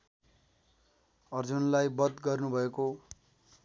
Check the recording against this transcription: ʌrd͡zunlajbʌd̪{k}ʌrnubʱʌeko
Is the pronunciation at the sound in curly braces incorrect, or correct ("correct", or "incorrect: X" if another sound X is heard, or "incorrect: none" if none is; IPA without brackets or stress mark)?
incorrect: ɡ